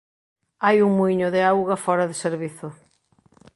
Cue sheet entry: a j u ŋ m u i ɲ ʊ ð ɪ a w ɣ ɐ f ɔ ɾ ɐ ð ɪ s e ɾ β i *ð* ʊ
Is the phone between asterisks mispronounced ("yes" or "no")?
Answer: yes